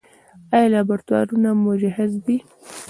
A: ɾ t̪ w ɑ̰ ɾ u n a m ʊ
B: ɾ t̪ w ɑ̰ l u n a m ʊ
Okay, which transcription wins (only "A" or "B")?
A